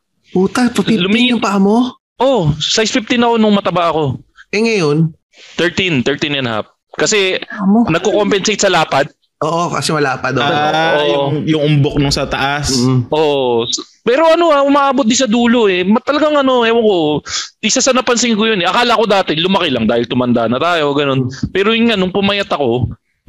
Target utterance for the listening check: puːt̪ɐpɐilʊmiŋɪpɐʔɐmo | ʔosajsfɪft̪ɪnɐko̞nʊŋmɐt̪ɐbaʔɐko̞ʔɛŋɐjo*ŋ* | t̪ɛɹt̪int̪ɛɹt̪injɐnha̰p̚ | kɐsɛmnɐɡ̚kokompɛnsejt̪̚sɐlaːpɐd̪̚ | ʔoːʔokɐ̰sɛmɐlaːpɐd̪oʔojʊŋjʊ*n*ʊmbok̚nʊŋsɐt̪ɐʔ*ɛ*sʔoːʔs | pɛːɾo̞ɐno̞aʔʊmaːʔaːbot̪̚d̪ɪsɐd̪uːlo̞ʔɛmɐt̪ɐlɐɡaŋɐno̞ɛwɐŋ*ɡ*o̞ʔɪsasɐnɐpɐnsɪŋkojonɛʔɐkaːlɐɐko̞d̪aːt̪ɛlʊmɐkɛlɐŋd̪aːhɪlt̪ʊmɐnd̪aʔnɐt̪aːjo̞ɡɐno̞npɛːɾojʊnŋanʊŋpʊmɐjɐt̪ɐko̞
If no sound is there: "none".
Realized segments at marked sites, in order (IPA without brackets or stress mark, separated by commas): n, ŋ, a, k